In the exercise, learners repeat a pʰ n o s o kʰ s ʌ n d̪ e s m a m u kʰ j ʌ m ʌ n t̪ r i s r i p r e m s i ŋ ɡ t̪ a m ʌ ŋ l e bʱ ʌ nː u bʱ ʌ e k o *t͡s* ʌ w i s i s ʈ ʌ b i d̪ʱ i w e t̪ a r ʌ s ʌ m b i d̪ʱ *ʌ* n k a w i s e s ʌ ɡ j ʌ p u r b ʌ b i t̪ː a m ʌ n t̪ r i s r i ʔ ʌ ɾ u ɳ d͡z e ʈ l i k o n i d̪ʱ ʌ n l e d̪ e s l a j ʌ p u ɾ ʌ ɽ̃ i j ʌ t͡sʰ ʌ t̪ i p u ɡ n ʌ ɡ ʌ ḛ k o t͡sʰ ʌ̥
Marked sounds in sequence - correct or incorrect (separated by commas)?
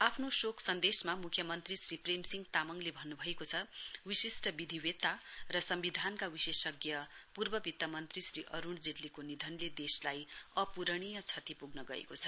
incorrect, incorrect